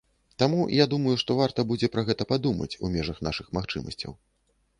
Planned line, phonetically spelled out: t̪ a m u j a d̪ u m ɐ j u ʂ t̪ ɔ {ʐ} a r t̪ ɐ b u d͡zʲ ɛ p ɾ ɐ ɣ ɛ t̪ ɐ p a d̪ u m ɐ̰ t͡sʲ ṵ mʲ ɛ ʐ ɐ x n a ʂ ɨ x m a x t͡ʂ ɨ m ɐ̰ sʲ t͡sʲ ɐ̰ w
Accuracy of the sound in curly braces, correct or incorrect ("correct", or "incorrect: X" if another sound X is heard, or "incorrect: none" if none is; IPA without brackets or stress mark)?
incorrect: v